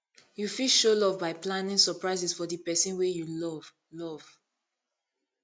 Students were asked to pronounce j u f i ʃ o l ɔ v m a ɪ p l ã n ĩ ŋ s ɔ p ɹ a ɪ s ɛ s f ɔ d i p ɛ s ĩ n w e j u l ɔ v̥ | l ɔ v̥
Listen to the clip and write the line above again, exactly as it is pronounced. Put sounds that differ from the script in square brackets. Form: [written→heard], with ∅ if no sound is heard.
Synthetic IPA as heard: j u f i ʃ o l ɔ v [m→b] a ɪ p l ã n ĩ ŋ s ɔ p ɹ a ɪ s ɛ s f ɔ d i p ɛ s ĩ n w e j u l ɔ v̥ | l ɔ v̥